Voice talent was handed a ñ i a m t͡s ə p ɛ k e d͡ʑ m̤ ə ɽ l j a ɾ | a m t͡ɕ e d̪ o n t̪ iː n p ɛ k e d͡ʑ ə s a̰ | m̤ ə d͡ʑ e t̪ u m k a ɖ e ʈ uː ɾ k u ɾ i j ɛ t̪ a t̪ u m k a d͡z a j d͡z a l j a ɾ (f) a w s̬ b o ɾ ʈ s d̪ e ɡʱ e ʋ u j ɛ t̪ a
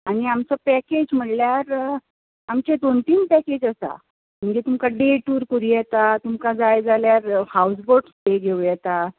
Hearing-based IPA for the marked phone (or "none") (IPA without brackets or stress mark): h